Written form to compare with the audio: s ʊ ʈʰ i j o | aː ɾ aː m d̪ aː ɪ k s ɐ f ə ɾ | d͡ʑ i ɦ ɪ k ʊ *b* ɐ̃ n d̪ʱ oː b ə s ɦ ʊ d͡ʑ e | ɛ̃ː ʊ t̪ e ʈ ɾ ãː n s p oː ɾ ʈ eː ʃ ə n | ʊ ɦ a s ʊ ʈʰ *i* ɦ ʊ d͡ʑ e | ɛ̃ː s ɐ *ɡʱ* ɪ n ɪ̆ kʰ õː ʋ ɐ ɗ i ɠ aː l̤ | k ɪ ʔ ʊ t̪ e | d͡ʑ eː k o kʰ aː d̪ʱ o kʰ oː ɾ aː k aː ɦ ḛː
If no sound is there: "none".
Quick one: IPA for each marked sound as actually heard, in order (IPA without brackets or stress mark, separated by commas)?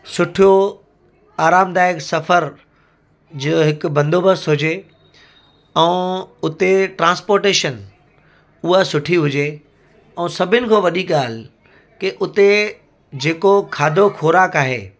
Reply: b, i, bʱ